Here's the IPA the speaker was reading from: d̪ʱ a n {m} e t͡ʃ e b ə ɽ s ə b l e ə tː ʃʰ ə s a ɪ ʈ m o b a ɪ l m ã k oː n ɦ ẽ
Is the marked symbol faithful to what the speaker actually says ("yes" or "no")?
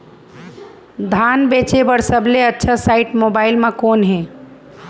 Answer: no